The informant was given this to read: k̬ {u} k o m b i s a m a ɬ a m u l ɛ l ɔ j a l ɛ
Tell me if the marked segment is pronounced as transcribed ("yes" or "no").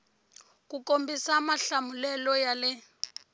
yes